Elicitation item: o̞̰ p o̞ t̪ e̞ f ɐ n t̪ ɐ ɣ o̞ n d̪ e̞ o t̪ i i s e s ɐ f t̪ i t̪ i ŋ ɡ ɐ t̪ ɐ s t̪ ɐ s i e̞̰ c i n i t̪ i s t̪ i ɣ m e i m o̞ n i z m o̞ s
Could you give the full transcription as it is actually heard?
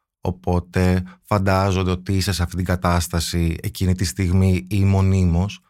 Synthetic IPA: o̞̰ p o̞ t̪ e̞ f ɐ n d̪ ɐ z o̞ n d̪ e̞ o t̪ i i s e s ɐ f t̪ i t̪ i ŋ ɡ ɐ t̪ ɐ s t̪ ɐ s i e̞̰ c i n i t̪ i s t̪ i ɣ m i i m o̞ n i m o̞ s